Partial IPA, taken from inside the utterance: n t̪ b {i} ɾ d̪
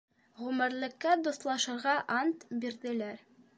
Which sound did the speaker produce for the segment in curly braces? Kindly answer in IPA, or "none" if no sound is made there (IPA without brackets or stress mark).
i